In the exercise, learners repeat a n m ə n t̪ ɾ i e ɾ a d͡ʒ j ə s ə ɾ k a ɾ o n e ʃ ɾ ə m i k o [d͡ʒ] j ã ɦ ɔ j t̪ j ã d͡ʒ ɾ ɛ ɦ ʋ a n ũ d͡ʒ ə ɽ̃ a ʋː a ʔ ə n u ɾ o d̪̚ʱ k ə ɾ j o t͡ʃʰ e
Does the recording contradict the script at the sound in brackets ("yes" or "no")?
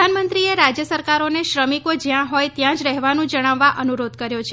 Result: no